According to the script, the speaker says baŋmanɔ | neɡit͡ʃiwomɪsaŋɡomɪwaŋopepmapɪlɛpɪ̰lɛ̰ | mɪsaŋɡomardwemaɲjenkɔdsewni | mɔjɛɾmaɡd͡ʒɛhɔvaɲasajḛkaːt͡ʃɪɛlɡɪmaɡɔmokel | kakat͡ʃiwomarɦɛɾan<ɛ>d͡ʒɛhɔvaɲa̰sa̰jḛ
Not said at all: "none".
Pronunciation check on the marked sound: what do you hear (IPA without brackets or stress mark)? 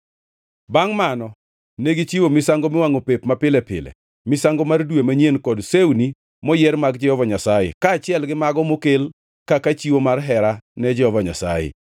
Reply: ɛ